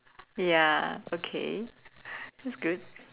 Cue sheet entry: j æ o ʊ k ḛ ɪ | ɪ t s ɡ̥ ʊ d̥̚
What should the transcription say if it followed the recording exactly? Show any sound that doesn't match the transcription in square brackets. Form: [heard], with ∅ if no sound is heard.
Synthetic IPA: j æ o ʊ [kʰ] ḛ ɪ | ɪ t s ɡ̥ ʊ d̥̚